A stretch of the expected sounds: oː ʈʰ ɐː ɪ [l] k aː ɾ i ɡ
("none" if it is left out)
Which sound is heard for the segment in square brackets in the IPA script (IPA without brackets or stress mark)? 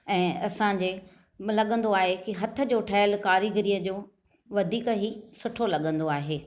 l